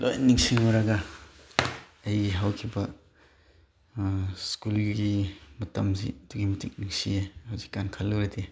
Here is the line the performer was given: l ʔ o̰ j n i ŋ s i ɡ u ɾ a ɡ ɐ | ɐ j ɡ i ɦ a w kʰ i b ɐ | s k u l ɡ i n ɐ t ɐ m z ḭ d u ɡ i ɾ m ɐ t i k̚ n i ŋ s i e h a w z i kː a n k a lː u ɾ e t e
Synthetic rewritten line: l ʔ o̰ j n i ŋ s i ŋ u ɾ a ɡ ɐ | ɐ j ɡ i ɦ a w kʰ i b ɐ | s k u l ɡ i m ɐ t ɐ m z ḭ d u ɡ i m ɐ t i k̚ n i ŋ s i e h a w z i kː a n kʰ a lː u ɾ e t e